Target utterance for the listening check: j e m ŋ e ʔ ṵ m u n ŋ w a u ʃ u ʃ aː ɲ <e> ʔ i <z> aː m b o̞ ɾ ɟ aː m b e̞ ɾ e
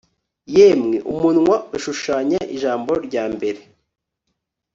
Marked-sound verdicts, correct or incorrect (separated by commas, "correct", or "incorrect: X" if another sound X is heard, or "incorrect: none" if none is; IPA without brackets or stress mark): incorrect: a, incorrect: ʒ